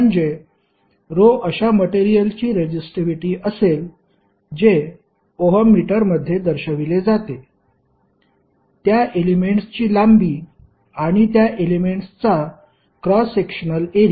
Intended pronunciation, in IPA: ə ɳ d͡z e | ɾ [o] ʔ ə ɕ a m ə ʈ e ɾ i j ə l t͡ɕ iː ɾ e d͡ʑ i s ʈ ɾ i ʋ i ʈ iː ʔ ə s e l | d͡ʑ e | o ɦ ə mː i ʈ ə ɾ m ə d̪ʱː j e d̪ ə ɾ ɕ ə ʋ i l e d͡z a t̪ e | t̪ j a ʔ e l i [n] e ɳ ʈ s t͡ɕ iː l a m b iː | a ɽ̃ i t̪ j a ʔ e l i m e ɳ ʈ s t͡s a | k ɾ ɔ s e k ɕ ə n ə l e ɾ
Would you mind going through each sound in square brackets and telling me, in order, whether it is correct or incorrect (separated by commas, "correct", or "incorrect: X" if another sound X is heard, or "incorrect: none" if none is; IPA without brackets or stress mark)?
correct, incorrect: m